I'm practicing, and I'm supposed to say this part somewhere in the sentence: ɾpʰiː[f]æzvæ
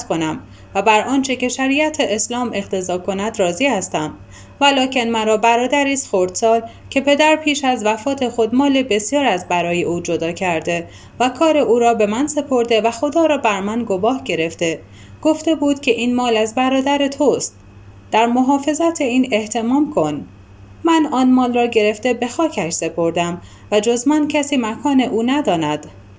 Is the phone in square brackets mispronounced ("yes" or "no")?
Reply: yes